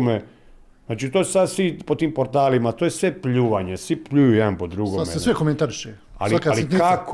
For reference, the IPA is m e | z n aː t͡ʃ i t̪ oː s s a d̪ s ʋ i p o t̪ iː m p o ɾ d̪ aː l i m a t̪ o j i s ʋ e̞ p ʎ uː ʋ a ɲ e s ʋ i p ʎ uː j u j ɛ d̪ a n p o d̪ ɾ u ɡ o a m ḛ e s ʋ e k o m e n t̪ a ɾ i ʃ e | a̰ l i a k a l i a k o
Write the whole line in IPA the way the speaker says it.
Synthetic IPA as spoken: m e | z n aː t͡ʃ i t̪ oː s s a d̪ s ʋ i p o t̪ iː m p o ɾ t̪ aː l i m a t̪ o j e s ʋ e̞ p ʎ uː ʋ a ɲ e s ʋ i p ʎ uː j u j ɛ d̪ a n p o d̪ ɾ u ɡ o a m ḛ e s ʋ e k o m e n t̪ a ɾ i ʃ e | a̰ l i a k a l i a k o